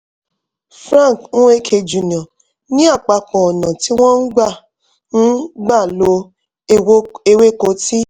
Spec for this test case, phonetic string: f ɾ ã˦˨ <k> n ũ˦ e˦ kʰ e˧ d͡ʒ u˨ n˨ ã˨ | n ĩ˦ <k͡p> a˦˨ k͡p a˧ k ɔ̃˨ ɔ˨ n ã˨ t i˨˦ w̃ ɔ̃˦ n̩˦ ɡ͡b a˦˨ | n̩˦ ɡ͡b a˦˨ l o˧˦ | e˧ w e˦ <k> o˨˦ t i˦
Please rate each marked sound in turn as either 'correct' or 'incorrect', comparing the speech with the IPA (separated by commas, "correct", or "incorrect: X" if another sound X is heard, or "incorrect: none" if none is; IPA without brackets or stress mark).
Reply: correct, incorrect: none, correct